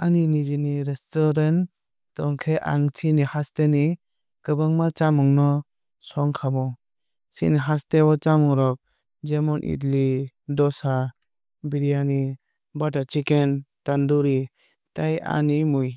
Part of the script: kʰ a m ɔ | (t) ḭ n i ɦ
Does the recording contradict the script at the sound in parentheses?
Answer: yes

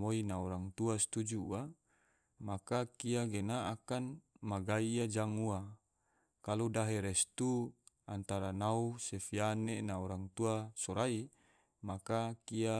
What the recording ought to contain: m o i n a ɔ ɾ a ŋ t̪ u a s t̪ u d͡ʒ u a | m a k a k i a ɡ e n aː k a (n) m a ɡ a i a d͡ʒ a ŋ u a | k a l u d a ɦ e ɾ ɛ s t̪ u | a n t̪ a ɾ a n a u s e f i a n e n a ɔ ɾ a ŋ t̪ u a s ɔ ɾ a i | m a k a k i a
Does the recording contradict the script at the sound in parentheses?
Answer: no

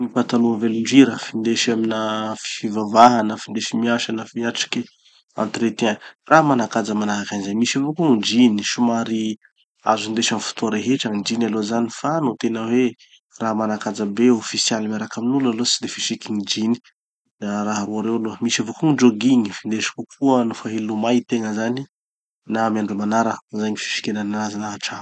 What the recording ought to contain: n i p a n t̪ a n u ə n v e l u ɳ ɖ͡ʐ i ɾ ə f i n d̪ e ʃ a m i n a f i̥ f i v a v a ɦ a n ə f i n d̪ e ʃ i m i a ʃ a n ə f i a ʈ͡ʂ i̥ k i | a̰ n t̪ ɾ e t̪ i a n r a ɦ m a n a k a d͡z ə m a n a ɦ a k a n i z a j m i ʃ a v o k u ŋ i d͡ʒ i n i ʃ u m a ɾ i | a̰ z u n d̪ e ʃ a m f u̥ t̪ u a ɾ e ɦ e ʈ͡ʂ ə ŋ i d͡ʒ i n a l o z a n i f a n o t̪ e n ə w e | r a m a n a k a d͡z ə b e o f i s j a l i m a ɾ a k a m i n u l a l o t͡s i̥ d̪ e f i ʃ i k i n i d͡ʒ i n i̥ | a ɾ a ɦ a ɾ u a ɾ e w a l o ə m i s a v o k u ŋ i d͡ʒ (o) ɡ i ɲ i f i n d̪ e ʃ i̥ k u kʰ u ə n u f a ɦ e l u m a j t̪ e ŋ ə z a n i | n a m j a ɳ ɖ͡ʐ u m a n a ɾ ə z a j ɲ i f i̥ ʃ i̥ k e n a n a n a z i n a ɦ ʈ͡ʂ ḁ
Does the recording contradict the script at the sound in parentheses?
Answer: no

